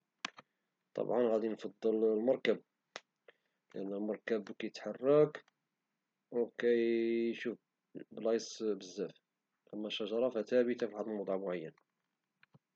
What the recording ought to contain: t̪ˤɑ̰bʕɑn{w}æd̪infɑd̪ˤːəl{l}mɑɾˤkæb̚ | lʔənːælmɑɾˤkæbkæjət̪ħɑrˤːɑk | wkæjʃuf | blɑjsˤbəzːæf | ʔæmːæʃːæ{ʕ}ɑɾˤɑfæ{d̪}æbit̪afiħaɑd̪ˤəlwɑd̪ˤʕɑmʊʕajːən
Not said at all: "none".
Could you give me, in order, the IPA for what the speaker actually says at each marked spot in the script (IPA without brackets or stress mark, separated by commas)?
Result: ɣ, l, ʒ, t̪